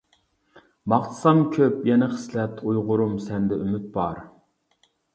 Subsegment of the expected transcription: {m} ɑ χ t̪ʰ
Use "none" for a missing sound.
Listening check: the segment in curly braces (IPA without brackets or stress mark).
m